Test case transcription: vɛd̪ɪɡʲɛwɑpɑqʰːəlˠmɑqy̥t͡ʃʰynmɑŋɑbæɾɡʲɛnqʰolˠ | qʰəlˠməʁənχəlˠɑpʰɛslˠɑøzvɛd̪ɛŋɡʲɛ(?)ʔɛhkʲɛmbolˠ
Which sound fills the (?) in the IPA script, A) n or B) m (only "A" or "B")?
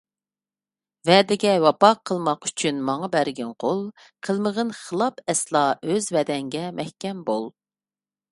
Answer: B